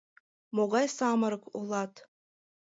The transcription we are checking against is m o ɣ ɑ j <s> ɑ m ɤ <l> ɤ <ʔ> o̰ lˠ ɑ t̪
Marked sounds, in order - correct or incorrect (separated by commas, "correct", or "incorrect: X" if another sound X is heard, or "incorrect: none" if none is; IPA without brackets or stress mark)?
correct, incorrect: ɾ, incorrect: k